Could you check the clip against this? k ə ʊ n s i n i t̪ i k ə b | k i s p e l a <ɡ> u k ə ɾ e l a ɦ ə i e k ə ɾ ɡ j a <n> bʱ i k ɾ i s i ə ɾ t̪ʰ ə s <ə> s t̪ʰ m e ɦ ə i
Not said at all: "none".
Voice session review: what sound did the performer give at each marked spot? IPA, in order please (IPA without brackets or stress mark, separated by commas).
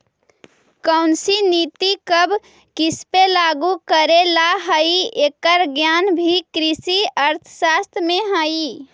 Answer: ɡ, n, a